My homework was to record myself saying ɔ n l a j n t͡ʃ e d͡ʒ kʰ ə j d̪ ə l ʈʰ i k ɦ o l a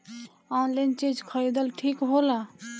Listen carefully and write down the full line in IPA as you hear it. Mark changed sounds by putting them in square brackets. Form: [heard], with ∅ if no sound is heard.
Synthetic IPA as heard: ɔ n l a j n t͡ʃ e d͡ʒ kʰ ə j d̪ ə l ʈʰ i k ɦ o l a